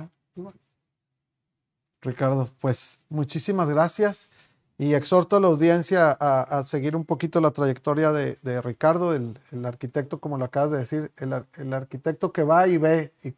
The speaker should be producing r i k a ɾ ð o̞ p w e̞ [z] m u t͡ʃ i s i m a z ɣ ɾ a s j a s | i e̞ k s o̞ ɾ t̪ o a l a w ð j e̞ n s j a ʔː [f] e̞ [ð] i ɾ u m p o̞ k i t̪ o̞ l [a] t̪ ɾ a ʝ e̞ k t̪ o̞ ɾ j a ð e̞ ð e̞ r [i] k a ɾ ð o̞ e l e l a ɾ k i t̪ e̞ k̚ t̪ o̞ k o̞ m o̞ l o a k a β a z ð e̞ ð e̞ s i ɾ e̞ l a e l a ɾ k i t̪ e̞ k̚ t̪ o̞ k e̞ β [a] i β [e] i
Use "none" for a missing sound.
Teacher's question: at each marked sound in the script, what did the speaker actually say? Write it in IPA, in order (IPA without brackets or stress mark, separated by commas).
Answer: s, s, ɣ, a, i, a, e